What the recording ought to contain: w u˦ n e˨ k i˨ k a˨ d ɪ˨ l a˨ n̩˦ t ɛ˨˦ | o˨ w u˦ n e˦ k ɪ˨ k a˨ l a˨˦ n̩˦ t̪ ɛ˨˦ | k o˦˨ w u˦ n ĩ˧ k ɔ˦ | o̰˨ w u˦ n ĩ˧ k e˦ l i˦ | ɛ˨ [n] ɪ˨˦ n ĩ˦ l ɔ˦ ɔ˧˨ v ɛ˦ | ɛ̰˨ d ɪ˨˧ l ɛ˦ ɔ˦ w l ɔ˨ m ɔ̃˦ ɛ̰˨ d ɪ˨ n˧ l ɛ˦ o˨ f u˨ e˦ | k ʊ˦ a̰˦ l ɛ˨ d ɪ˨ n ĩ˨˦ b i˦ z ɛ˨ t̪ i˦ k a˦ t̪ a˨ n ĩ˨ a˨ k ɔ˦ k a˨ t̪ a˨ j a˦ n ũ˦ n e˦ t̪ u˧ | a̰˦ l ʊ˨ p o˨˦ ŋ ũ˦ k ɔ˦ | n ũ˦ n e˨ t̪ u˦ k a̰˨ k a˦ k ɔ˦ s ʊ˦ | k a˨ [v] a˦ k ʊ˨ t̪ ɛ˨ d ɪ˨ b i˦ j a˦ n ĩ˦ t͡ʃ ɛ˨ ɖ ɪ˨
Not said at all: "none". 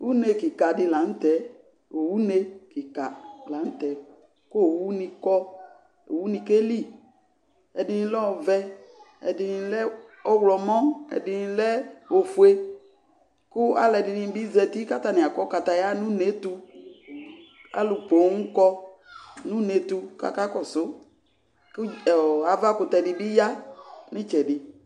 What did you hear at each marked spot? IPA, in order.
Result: d, v

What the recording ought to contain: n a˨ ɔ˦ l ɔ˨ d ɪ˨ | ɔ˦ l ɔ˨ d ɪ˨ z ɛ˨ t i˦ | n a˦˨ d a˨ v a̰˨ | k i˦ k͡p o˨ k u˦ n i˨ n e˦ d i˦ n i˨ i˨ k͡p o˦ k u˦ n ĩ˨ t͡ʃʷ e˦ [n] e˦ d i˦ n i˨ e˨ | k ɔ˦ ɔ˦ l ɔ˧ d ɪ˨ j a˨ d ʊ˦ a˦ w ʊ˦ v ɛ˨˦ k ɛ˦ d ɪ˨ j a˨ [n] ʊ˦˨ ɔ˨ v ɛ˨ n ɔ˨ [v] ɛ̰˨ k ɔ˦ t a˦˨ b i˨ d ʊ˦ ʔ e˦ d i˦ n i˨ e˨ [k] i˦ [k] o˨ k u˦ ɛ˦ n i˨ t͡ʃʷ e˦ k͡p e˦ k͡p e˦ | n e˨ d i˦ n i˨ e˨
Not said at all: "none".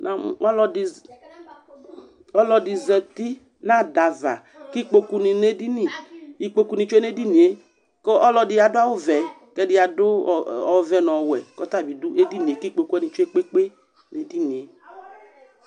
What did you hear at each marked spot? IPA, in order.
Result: n, d, w, k, k͡p

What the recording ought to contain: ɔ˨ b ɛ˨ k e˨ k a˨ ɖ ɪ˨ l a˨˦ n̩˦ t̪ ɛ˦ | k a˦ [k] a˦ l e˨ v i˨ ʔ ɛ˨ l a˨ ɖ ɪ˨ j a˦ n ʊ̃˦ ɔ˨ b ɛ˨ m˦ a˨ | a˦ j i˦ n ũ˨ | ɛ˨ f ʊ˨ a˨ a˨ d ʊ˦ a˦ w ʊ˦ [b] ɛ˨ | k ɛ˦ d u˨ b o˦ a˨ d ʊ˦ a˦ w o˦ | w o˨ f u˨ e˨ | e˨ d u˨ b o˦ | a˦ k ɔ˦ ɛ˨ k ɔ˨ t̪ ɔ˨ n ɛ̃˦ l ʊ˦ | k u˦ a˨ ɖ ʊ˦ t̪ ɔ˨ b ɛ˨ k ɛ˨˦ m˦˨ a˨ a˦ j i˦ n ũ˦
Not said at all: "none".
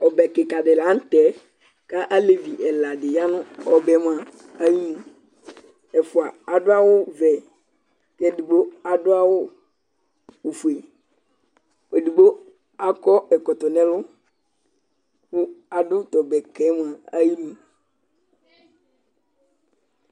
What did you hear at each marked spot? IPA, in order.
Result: ʔ, v

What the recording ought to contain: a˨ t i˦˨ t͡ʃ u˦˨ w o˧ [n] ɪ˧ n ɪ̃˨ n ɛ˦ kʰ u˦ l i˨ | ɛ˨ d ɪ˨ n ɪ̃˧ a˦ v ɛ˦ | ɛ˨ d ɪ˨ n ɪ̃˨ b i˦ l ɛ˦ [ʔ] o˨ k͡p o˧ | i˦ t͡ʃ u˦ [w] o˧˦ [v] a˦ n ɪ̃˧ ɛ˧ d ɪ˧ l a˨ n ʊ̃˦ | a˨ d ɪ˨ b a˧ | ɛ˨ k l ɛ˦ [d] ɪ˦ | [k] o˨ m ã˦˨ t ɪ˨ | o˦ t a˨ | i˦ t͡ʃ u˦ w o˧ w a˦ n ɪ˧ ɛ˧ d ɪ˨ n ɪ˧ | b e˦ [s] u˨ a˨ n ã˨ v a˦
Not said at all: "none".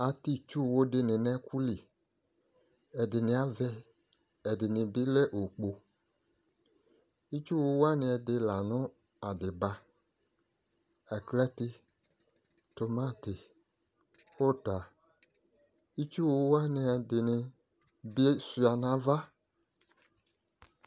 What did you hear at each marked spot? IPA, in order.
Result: d, ʔ, w, w, t, t, s

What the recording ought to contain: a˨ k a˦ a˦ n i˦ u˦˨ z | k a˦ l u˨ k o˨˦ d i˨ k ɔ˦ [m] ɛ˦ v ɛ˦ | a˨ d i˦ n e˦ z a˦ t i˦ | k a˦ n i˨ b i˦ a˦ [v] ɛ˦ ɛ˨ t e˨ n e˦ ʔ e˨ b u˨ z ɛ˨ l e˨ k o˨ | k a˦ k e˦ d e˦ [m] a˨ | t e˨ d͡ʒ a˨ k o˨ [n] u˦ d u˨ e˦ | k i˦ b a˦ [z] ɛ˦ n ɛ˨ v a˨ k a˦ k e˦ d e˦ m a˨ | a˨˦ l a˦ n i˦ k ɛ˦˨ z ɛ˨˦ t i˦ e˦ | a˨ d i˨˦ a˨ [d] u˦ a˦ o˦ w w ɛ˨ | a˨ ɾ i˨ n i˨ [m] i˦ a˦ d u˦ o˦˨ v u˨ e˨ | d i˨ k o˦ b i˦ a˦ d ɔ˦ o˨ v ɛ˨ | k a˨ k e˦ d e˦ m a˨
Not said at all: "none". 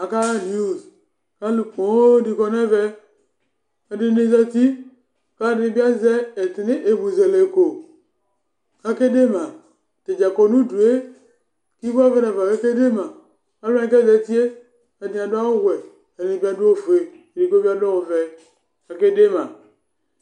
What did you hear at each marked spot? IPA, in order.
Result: n, z, m, n, v, d, b

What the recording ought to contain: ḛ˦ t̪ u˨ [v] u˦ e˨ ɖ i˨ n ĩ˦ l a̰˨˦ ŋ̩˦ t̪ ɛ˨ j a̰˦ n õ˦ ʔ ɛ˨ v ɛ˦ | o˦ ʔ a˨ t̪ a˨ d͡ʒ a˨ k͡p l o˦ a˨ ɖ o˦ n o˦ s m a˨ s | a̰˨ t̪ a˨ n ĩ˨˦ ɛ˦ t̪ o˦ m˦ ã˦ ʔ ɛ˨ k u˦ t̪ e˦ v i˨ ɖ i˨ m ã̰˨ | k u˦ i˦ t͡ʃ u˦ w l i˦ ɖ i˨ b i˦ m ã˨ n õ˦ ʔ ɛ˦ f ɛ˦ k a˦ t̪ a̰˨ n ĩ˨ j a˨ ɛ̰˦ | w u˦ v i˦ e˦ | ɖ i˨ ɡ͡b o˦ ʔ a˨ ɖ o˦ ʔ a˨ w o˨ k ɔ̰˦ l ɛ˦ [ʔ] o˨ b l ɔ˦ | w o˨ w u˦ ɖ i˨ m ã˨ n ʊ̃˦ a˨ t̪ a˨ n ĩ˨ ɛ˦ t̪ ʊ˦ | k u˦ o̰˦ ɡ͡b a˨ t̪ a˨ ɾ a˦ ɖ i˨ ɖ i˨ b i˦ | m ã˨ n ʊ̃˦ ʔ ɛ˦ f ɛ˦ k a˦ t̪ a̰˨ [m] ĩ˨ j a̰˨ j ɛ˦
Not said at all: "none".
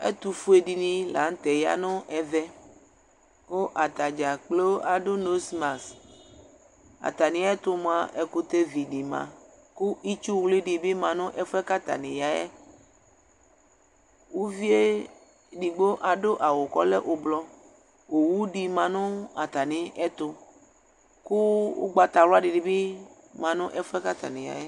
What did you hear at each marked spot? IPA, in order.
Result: f, ʔ, n

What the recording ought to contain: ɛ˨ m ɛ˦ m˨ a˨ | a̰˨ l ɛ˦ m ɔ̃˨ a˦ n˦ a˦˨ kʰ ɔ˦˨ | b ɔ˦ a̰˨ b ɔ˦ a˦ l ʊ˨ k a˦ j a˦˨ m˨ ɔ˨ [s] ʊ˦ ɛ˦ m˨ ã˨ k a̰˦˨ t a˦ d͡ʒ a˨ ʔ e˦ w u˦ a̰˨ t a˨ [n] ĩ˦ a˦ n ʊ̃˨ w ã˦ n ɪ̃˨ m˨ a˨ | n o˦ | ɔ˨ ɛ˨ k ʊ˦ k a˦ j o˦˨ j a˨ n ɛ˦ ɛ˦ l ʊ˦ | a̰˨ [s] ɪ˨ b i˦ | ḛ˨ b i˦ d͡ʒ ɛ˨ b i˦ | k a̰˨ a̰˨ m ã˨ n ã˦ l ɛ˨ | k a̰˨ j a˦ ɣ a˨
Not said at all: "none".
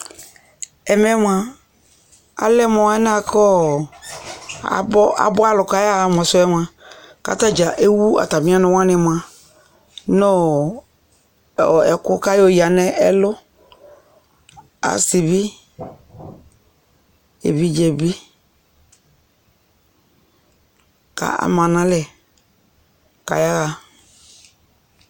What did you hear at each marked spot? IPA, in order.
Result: s, m, s

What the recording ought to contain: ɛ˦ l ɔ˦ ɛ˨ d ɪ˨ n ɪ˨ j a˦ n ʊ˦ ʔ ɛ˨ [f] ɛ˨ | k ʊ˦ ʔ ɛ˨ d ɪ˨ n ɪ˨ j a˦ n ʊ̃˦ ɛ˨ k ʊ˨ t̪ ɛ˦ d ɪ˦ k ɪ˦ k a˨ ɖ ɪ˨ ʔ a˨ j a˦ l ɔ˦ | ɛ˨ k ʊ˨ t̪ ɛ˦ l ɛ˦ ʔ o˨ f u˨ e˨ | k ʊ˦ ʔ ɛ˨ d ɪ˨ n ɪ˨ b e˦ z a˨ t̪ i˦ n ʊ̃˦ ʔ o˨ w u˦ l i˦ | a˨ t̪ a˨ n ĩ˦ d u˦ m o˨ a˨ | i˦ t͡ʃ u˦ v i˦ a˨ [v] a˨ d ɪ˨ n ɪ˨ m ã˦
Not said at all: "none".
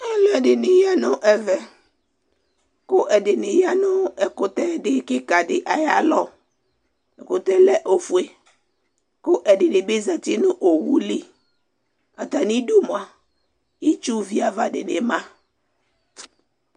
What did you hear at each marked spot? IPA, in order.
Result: v, v

